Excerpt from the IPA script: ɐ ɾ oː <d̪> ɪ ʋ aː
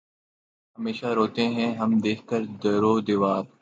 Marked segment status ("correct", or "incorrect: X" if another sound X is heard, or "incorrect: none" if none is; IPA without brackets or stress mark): correct